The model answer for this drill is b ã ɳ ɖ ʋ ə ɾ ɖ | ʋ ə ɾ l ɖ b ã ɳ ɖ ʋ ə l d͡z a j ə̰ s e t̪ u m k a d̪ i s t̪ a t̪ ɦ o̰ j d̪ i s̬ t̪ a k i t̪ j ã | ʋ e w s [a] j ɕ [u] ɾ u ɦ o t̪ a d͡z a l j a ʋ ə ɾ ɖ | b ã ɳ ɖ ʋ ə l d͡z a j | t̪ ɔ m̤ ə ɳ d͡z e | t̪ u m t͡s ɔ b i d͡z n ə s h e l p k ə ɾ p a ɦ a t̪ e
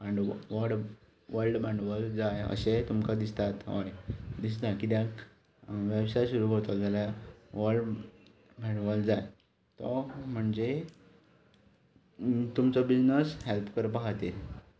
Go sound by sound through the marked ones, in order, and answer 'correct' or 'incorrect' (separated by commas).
correct, correct